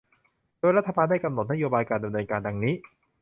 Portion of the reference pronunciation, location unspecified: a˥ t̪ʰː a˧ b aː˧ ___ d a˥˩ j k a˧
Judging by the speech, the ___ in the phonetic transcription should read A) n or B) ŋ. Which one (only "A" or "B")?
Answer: A